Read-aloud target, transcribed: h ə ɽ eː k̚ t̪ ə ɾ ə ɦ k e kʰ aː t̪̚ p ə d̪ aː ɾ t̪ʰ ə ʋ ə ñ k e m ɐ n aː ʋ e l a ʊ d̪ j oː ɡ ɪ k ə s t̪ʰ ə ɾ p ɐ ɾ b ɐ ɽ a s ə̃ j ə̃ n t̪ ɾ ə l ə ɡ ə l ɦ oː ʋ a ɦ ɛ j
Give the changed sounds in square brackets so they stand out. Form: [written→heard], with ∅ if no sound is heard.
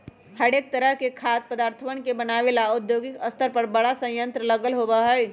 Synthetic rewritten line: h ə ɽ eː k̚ t̪ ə ɾ ə ɦ k e kʰ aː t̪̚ p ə d̪ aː ɾ t̪ʰ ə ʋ ə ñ k e [m→b] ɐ n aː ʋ e l a ʊ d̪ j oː ɡ ɪ k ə s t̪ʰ ə ɾ p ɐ ɾ b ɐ ɽ a s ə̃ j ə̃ n t̪ ɾ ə l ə ɡ ə l ɦ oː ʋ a ɦ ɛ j

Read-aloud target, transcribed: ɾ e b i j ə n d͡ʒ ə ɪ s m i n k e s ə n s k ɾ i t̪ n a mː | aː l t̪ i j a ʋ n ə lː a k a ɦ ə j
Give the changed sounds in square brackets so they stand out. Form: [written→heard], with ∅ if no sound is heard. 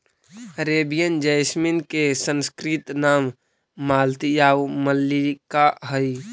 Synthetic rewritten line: ɾ e b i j ə n d͡ʒ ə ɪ s m i n k e s ə n s k ɾ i t̪ n a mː | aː l t̪ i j a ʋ [n→m] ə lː [a→i] k a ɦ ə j

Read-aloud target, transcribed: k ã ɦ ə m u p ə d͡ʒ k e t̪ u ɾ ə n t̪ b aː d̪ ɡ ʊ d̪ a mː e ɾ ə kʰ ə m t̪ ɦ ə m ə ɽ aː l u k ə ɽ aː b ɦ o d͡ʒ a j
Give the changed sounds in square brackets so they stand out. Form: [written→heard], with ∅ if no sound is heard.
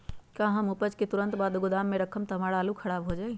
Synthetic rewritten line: k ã ɦ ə m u p ə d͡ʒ k e t̪ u ɾ ə n t̪ b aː d̪ ɡ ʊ d̪ a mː e ɾ ə kʰ ə m t̪ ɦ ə m [ə→a] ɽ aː l u [k→kʰ] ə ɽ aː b ɦ o d͡ʒ a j

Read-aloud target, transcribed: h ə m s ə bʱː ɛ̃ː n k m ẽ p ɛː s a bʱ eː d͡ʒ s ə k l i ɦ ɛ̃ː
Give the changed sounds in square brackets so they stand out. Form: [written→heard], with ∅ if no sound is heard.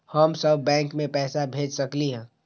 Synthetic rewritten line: h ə m s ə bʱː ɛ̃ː [n→ŋ] k m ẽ p ɛː s a bʱ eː d͡ʒ s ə k l i ɦ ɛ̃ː

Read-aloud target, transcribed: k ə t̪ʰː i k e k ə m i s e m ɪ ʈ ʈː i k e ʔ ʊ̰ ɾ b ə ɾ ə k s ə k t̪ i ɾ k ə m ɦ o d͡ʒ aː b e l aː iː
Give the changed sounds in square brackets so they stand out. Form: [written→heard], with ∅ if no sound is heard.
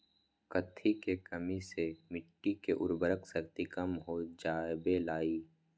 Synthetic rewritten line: k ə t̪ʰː i k e k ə m i s e m ɪ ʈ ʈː i k e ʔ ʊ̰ ɾ b ə ɾ ə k s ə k t̪ i [ɾ→∅] k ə m ɦ o d͡ʒ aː b e l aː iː

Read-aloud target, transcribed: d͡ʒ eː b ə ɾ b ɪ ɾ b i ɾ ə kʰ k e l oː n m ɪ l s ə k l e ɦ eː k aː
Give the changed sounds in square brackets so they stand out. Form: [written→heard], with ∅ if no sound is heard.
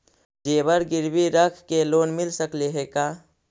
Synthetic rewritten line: d͡ʒ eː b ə ɾ [b→ɡ] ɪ ɾ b i ɾ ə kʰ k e l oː n m ɪ l s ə k l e ɦ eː k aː

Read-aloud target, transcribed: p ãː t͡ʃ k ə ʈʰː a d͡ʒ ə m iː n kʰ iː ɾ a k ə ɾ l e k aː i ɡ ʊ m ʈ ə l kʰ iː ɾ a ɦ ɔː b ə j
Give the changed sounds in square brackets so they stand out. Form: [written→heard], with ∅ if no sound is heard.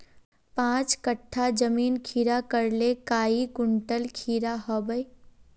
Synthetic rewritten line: p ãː t͡ʃ k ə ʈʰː a d͡ʒ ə m iː n kʰ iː ɾ a k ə ɾ l e k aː i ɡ ʊ [m→ɳ] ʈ ə l kʰ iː ɾ a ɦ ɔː b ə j

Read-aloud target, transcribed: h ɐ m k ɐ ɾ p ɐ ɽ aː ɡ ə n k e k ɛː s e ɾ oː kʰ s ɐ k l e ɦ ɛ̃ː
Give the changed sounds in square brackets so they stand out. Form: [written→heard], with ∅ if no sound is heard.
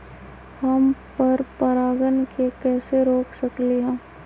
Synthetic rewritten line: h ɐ m [k→p] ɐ ɾ p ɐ [ɽ→ɾ] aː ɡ ə n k e k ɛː s e ɾ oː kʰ s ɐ k l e ɦ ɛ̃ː

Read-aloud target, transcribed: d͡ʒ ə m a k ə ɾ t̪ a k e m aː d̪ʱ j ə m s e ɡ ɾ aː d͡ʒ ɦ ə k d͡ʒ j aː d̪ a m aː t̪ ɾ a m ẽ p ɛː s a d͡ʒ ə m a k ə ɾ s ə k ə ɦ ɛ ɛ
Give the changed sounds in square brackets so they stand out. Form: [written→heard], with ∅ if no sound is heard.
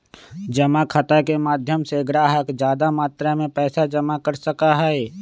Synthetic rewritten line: d͡ʒ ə m a [k→kʰ] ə [ɾ→∅] t̪ a k e m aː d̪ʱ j ə m s e ɡ ɾ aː [d͡ʒ→∅] ɦ ə k d͡ʒ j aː d̪ a m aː t̪ ɾ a m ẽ p ɛː s a d͡ʒ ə m a k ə ɾ s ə k [ə→a] ɦ ɛ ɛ

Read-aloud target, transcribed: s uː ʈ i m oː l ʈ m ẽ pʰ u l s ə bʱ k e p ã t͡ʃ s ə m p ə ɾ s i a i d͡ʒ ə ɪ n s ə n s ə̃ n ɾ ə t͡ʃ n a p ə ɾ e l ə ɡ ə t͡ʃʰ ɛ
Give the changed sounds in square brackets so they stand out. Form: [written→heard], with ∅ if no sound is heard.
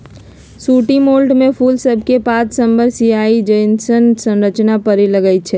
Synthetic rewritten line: s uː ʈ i m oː l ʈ m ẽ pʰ u l s ə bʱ k e p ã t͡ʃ s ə m [p→b] ə ɾ s i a i d͡ʒ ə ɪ n s ə n s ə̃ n ɾ ə t͡ʃ n a p ə ɾ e l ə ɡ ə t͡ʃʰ ɛ

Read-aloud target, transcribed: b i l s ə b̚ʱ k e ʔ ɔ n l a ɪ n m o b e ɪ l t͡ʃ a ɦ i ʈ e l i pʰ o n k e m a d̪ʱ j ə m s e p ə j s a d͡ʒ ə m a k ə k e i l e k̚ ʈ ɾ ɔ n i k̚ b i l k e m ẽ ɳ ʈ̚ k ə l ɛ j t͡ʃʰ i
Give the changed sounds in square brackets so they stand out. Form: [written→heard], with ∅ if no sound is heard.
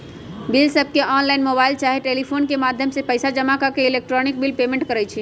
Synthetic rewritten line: b i l s ə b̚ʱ k e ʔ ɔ n l a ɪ n m o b [e→a] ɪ l t͡ʃ a ɦ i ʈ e l i pʰ o n k e m a d̪ʱ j ə m s e p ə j s a d͡ʒ ə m a k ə k e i l e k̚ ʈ ɾ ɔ n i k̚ b i l [k→p] e m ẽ ɳ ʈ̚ k ə [l→ɾ] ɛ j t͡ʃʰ i

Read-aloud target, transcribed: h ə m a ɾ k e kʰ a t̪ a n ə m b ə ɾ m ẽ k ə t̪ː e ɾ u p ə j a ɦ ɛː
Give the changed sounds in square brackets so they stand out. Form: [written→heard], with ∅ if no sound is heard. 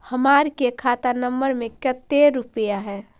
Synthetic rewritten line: h ə m a ɾ k e kʰ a t̪ a n ə m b ə ɾ m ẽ k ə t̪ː e ɾ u p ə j a ɦ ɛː

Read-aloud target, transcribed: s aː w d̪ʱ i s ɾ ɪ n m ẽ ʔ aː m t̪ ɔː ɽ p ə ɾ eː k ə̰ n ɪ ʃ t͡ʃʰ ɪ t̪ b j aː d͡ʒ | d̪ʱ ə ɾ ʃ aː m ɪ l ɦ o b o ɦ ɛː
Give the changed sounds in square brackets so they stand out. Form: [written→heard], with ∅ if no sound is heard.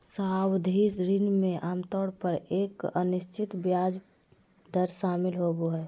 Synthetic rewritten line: s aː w d̪ʱ i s ɾ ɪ n m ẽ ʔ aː m t̪ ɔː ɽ p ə ɾ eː k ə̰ n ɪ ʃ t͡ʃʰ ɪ t̪ b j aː d͡ʒ | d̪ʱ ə ɾ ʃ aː m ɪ l ɦ o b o ɦ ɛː

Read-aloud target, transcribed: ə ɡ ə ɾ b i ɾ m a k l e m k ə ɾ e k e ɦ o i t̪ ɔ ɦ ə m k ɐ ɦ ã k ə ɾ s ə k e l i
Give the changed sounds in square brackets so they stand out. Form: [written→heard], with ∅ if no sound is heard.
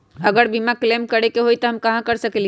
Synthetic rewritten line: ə ɡ ə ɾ b i [ɾ→∅] m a k l e m k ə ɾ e k e ɦ o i t̪ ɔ ɦ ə m k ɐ ɦ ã k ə ɾ s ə k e l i

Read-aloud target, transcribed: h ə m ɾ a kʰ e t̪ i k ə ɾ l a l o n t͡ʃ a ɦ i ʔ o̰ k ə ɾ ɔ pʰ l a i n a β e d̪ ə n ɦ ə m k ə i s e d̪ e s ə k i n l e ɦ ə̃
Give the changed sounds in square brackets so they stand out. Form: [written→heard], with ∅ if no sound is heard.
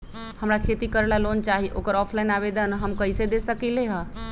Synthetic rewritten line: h ə m ɾ a kʰ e t̪ i k ə ɾ l a l o n t͡ʃ a ɦ i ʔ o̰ k ə ɾ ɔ pʰ l a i n a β e d̪ ə n ɦ ə m k ə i s e d̪ e s ə k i [n→∅] l e ɦ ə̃

